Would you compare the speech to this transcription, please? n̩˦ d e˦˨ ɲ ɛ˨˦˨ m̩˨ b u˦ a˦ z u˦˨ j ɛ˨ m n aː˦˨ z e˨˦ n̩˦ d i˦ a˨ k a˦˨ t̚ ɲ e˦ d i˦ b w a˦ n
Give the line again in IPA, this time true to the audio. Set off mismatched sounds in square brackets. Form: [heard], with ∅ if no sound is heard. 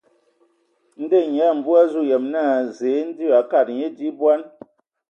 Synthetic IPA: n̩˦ d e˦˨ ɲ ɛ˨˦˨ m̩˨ b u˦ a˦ z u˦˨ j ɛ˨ m n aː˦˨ z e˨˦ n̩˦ d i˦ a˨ k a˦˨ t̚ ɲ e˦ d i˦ b w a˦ n